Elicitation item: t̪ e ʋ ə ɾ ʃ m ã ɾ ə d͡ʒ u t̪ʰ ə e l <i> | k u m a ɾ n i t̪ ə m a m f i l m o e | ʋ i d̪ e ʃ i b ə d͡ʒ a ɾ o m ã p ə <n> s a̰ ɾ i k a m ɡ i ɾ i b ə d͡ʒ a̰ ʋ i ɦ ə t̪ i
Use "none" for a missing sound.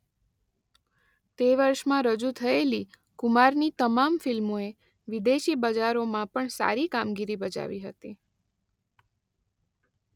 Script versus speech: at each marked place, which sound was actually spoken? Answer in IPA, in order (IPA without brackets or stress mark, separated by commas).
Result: i, ɳ